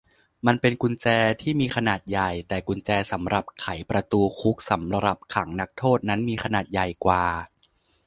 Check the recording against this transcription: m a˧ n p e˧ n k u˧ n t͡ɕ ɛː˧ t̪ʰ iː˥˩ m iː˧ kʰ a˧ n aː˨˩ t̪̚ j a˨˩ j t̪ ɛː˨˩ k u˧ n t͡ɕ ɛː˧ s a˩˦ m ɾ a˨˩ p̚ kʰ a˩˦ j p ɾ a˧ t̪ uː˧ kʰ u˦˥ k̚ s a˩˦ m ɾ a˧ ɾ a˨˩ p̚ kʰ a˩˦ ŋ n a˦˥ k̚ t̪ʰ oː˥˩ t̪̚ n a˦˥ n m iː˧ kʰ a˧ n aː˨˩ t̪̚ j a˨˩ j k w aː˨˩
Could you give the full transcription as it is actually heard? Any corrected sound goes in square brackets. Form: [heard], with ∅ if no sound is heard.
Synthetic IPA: m a˧ n p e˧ n k u˧ n t͡ɕ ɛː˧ t̪ʰ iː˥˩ m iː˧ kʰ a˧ n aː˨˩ t̪̚ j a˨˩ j t̪ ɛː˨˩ k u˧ n t͡ɕ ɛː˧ s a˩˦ m ɾ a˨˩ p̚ kʰ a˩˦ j p ɾ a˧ t̪ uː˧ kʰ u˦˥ k̚ s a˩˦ m ɾ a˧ ɾ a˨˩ p̚ kʰ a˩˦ ŋ n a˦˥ k̚ t̪ʰ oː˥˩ t̪̚ n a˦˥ n m iː˧ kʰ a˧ n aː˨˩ t̪̚ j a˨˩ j k w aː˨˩